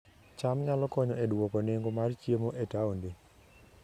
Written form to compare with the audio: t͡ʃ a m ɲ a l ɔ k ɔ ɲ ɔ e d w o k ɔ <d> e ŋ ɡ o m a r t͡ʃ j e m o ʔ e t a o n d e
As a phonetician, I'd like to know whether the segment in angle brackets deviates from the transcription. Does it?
yes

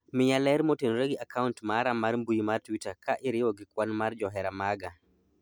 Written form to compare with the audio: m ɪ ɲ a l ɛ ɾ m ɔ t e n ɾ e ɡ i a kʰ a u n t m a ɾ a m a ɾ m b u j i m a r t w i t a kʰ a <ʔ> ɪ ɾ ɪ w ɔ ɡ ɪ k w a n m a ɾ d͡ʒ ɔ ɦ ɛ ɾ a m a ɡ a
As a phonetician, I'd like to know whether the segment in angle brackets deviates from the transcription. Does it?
no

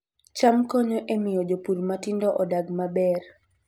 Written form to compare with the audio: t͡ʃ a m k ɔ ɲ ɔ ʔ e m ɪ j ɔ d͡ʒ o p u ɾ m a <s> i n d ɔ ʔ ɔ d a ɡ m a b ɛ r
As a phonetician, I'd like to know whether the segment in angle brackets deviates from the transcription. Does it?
yes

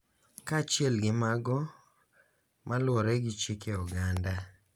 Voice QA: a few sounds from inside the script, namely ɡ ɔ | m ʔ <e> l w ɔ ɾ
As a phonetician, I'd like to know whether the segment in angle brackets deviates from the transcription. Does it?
yes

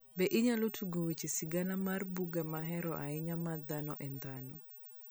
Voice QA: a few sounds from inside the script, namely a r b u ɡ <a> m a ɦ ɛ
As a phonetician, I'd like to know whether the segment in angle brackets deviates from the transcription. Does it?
no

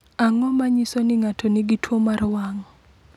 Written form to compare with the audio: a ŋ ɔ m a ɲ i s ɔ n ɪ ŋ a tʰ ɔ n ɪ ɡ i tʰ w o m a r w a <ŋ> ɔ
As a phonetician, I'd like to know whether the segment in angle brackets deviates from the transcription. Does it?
no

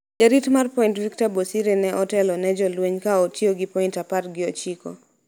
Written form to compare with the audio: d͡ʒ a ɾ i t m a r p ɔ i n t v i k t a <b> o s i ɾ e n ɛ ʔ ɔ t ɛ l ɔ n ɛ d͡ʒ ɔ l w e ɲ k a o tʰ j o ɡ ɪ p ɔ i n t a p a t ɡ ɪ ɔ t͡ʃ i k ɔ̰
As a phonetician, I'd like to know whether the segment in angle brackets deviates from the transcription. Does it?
no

